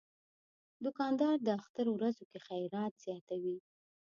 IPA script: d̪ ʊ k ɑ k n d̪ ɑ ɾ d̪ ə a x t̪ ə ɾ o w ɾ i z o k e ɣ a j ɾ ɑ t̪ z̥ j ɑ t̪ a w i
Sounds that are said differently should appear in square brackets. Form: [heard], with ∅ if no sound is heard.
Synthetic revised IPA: d̪ ʊ k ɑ [∅] n d̪ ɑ ɾ d̪ ə a x t̪ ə ɾ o w ɾ [a] z o k e [x] a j ɾ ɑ t̪ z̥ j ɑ t̪ a w i